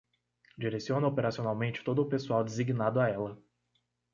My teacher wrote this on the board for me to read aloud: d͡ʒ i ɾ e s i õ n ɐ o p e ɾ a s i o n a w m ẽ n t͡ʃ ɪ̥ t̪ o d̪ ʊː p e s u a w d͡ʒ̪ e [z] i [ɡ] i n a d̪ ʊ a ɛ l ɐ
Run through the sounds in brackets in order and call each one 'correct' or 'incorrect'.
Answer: correct, correct

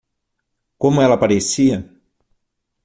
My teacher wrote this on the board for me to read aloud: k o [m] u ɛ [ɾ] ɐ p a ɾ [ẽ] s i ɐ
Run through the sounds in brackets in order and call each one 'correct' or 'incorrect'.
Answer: correct, incorrect, incorrect

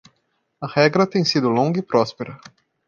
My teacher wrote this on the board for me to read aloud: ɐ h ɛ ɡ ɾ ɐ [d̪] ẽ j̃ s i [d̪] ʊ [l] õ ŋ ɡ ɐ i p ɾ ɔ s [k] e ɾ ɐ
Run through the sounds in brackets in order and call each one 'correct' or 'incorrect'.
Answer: incorrect, correct, correct, incorrect

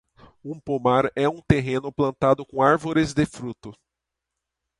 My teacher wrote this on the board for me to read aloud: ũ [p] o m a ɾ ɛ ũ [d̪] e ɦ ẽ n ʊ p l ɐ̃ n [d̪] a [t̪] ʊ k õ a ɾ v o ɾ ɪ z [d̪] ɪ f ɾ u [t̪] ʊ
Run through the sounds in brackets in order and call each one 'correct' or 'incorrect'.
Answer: correct, incorrect, incorrect, incorrect, correct, correct

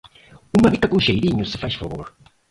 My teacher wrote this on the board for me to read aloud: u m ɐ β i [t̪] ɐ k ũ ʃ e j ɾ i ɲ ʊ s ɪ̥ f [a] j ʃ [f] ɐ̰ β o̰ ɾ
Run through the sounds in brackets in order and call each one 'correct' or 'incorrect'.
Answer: correct, correct, correct

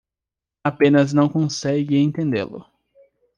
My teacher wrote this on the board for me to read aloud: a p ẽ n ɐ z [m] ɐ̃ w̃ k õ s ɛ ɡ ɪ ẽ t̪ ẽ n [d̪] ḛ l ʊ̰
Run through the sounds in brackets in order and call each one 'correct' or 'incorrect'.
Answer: incorrect, correct

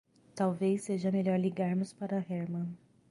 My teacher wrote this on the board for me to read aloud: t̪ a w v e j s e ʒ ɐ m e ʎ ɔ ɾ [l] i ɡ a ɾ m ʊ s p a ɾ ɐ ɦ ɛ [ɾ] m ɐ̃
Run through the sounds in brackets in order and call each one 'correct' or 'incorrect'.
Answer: correct, correct

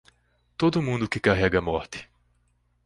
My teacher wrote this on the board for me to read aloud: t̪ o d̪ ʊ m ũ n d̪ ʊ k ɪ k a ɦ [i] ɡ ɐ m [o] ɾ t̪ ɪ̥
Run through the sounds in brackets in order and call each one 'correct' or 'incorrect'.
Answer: incorrect, incorrect

